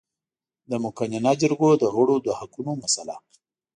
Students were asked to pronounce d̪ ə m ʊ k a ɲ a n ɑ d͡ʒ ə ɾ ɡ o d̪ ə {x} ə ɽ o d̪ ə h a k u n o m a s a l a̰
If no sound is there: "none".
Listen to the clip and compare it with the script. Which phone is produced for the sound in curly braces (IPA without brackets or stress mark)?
ɣ